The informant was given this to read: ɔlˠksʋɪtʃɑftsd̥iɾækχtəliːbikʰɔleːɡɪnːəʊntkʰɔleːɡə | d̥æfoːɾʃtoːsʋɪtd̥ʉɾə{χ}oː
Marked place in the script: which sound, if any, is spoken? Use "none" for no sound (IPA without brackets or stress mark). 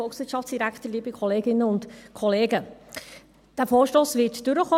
χ